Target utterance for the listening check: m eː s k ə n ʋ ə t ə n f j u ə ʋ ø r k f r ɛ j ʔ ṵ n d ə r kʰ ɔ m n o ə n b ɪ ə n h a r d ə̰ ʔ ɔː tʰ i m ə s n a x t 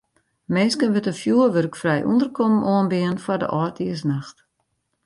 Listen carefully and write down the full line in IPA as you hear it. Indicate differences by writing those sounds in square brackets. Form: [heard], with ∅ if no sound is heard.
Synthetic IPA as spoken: m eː s k ə n ʋ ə t ə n f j u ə ʋ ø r k f r ɛ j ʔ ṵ n d ə r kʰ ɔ m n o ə n b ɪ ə n [f] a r d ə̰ ʔ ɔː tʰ i [∅] ə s n a x t